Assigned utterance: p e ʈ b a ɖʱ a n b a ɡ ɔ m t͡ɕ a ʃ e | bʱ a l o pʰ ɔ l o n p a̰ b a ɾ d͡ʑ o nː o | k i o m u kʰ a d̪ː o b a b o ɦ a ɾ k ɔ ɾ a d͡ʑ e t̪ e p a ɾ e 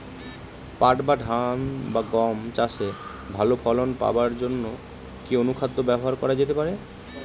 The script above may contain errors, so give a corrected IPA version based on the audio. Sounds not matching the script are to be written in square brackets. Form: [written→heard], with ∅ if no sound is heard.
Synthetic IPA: p [e→a] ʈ b a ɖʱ a n b a ɡ ɔ m t͡ɕ a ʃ e | bʱ a l o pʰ ɔ l o n p a̰ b a ɾ d͡ʑ o nː o | k i o [m→n] u kʰ a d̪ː o b [a→ɛ] b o ɦ a ɾ k ɔ ɾ a d͡ʑ e t̪ e p a ɾ e